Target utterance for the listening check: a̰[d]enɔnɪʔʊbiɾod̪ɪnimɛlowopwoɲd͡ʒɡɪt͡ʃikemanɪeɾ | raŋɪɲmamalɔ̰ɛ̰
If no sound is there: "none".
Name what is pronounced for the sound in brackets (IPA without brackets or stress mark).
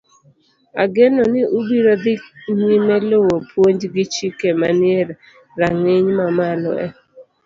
ɡ